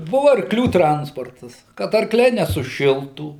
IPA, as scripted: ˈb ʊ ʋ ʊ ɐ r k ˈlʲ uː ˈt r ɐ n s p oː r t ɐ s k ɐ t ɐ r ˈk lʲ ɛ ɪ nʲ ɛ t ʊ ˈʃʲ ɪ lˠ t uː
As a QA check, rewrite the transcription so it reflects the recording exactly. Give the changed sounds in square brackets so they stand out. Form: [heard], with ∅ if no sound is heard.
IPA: ˈb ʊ ʋ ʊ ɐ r k ˈlʲ uː ˈt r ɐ n s p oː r t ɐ s k ɐ t ɐ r ˈk lʲ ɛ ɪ nʲ ɛ [s] ʊ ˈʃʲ ɪ lˠ t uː